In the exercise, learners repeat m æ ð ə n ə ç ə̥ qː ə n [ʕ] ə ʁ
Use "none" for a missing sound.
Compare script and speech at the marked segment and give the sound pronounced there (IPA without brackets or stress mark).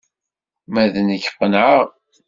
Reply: ʕ